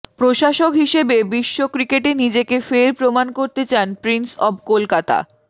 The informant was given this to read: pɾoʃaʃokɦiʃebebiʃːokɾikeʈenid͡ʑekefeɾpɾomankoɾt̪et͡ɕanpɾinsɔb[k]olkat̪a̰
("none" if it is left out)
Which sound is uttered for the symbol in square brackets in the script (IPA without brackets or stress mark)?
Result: k